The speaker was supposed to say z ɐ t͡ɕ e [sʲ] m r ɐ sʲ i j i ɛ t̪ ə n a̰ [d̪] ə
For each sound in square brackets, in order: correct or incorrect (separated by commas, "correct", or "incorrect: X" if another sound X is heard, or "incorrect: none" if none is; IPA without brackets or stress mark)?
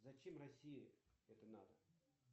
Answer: incorrect: none, correct